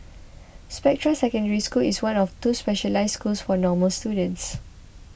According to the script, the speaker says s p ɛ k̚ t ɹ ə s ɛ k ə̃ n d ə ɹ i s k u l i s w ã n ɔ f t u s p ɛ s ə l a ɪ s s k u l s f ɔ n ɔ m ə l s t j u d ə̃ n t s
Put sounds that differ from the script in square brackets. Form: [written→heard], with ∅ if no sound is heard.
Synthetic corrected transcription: s p ɛ k̚ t ɹ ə s ɛ k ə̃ n d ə ɹ i s k u l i s w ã n ɔ f t u s p ɛ [s→ʃ] ə l a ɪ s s k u l s f ɔ n ɔ m ə l s t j u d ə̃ n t s